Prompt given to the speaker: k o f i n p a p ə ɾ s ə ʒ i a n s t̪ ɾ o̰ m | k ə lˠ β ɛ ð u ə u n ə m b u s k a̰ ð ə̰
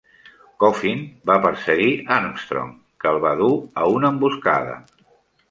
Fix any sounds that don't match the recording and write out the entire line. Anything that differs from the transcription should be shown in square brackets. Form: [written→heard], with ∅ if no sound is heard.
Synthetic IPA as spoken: k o f i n [p→b] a p ə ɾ s ə [ʒ→ɣ] i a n s t̪ ɾ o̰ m | k ə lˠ β [ɛ→a] ð u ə u n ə m b u s k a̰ ð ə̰